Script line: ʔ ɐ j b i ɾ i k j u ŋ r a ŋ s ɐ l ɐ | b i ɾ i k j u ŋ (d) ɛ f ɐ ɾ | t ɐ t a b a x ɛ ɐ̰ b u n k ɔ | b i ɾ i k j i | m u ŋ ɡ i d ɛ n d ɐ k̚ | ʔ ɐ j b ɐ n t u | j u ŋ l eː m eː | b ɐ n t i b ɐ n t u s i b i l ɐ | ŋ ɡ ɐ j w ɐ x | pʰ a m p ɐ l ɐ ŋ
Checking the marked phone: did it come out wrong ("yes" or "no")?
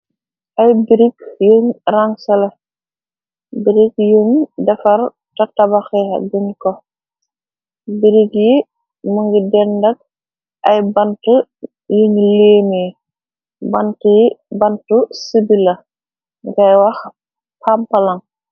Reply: no